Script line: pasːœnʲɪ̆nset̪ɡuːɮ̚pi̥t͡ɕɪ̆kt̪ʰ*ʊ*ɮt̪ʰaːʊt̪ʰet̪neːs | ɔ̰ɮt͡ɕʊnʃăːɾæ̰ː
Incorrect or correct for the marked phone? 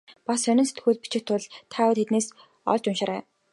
correct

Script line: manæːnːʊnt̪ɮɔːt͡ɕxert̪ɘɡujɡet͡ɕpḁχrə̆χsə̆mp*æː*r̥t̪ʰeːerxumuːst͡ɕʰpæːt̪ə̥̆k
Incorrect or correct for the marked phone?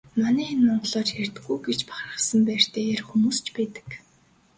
correct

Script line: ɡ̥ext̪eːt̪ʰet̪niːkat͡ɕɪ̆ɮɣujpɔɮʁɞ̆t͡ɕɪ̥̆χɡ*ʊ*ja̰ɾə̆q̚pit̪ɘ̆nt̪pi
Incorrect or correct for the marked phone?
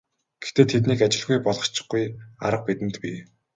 incorrect: u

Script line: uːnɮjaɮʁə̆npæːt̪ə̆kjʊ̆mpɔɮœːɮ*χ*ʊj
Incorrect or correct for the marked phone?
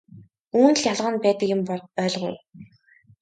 incorrect: ʁ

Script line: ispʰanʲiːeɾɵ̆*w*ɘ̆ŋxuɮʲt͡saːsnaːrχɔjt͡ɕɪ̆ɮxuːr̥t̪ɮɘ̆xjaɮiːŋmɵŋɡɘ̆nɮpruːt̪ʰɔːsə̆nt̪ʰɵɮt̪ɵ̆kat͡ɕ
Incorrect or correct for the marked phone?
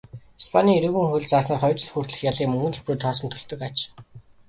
incorrect: ɣ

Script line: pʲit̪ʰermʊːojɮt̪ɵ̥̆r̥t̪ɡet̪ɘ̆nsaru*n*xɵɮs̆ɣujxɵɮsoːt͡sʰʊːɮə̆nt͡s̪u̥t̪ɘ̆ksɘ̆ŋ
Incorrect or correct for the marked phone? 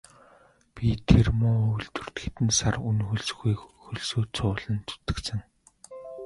correct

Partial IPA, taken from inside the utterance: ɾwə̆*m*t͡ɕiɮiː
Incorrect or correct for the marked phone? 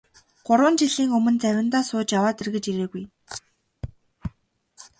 incorrect: n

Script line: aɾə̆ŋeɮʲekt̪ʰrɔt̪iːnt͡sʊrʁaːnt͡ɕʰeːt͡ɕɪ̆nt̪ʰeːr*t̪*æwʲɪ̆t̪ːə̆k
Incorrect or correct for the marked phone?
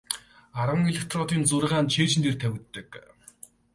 incorrect: t̪ʰ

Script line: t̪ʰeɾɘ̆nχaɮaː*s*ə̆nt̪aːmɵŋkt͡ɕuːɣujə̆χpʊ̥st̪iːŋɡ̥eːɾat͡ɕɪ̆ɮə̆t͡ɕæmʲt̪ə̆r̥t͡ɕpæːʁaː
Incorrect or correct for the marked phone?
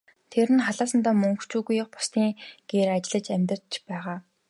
correct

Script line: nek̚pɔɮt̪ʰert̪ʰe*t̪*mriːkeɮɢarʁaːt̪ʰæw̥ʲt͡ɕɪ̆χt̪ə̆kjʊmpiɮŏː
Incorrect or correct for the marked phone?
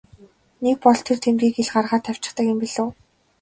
incorrect: none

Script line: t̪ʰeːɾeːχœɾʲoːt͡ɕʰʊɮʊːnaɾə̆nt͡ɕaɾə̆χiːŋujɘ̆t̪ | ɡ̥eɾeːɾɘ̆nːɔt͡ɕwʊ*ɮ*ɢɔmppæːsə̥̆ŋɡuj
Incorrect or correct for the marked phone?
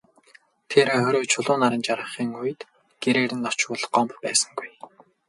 correct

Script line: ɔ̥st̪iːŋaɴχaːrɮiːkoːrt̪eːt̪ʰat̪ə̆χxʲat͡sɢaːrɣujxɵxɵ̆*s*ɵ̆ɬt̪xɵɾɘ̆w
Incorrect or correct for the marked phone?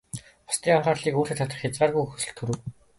correct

